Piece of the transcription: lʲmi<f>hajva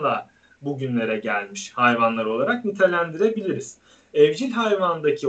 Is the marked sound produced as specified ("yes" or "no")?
no